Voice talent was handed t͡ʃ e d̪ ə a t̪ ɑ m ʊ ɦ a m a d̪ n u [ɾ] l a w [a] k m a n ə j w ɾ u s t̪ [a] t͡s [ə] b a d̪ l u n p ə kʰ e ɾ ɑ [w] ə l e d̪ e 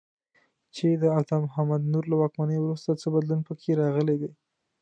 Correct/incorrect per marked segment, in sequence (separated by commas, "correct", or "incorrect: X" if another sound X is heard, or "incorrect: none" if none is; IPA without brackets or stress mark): correct, incorrect: ɑ, correct, correct, incorrect: ɣ